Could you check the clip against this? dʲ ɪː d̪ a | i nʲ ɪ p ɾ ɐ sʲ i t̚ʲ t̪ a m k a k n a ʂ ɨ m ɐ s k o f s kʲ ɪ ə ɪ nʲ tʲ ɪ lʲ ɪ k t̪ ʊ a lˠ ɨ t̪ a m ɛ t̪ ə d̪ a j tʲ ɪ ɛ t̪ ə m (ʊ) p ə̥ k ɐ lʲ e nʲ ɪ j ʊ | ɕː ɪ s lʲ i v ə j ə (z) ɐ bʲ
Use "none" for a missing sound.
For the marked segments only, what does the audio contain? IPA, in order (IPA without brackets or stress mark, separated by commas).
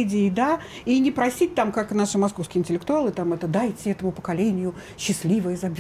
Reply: ʊ, z